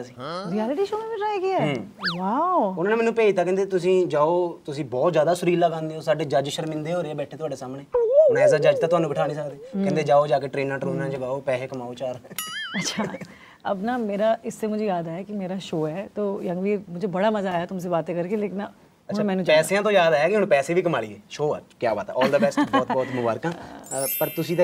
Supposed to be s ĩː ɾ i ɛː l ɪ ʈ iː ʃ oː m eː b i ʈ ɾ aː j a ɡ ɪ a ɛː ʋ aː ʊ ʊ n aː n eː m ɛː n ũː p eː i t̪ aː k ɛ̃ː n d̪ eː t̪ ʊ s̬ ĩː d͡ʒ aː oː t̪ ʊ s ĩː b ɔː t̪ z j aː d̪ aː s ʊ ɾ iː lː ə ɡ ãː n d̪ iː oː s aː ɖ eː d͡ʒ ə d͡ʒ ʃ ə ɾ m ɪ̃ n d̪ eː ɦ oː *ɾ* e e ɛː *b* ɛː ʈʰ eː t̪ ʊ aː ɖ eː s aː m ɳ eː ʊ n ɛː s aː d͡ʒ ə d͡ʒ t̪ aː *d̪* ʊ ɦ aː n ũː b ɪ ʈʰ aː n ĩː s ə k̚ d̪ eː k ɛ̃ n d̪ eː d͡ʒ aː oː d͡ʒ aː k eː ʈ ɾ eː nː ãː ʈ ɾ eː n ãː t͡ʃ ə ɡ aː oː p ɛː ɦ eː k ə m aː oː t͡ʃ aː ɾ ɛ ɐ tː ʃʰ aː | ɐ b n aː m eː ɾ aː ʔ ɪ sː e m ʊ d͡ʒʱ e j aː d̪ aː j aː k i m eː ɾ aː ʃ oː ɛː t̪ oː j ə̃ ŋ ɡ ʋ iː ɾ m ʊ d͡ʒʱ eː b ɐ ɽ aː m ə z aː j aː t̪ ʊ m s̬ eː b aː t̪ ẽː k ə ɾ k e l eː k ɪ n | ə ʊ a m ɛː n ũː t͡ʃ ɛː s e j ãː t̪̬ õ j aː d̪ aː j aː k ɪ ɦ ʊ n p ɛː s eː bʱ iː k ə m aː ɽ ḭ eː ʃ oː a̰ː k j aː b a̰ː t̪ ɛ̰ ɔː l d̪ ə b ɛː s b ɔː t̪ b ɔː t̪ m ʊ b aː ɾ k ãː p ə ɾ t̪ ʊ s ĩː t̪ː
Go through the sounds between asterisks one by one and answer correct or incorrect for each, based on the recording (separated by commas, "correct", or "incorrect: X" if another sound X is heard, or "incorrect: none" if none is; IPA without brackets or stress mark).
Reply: correct, correct, incorrect: t̪